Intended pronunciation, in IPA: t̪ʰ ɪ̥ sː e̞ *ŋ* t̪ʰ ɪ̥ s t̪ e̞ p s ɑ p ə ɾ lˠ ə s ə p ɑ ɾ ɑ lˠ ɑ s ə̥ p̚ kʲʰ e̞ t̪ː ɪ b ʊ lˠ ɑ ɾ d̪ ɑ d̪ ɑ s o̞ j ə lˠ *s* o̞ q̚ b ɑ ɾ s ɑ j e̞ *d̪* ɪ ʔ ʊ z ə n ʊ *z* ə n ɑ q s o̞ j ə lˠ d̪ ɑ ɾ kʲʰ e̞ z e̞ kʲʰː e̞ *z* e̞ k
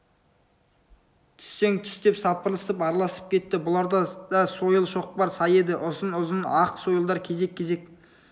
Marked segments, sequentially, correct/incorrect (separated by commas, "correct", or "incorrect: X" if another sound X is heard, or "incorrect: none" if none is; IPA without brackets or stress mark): correct, incorrect: ʃ, correct, correct, correct